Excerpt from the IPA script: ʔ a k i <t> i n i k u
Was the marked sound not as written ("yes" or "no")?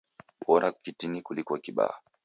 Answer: no